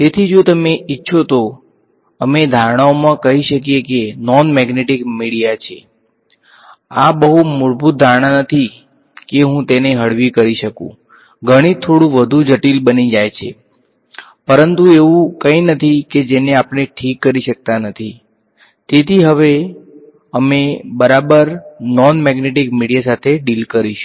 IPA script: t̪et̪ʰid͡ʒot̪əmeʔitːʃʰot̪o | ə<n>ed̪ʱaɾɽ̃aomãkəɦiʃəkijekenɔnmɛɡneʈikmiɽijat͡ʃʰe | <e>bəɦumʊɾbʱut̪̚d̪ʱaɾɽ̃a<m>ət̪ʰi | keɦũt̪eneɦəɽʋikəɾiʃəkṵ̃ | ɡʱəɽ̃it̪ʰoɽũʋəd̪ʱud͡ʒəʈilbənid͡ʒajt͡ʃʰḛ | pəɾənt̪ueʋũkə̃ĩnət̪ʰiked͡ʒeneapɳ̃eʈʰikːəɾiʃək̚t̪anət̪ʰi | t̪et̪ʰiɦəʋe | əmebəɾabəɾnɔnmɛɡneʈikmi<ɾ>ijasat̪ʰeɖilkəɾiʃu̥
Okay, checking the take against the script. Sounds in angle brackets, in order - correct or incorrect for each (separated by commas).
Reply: incorrect, incorrect, incorrect, incorrect